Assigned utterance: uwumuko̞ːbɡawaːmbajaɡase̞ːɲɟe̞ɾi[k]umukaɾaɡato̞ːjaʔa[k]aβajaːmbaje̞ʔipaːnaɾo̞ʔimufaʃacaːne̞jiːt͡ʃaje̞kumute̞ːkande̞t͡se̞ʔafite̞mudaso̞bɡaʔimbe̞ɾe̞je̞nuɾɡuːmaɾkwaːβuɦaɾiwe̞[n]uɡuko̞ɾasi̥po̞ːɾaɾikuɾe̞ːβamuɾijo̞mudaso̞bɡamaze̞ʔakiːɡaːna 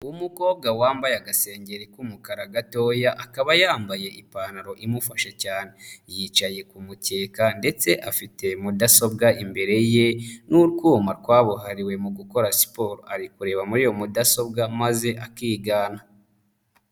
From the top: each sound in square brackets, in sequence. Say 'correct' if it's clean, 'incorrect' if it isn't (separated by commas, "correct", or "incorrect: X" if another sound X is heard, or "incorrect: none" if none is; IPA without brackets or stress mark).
correct, correct, incorrect: m